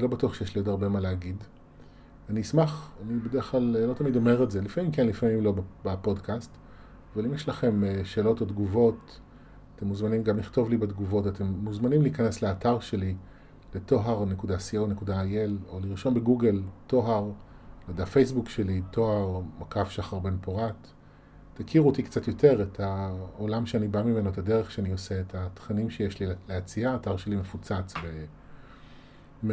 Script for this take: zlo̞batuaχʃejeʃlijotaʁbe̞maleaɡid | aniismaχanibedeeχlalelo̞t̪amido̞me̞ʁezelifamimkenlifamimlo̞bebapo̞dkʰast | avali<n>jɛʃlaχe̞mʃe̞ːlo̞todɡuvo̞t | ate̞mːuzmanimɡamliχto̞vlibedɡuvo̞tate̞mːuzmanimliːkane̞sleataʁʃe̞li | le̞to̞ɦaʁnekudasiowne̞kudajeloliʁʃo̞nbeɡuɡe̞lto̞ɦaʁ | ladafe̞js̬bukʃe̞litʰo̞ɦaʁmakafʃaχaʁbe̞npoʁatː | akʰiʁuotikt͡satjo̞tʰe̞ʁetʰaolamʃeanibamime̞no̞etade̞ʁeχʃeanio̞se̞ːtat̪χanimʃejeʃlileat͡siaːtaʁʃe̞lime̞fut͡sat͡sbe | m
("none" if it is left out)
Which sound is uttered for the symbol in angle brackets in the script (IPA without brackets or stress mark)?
m